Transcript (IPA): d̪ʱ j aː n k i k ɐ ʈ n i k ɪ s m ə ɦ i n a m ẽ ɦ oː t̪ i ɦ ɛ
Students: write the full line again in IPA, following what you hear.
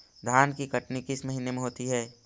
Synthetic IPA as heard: d̪ʱ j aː n k i k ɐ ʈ n i k ɪ s m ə ɦ i n e m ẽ ɦ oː t̪ i ɦ ɛː